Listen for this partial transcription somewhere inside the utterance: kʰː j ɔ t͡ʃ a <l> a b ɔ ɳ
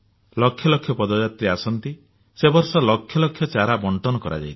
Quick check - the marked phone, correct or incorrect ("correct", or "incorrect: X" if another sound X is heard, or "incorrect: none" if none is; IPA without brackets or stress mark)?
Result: incorrect: ɾ